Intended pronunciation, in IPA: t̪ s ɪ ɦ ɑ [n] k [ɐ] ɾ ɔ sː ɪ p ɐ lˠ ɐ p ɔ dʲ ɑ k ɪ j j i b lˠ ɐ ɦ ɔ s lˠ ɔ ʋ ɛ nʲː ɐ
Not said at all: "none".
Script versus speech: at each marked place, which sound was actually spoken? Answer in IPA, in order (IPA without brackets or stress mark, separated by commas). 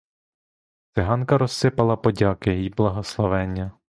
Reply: n, ɐ